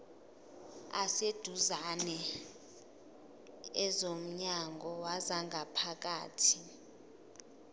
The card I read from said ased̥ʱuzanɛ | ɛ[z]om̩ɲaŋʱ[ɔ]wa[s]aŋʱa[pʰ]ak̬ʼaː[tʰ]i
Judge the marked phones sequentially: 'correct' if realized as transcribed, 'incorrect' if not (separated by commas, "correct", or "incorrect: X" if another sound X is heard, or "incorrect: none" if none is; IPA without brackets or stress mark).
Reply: correct, correct, incorrect: z, correct, correct